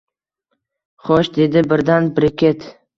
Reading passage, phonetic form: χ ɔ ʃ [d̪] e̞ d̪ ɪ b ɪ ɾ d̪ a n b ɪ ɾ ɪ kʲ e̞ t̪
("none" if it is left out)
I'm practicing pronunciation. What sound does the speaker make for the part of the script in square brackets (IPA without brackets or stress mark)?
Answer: d̪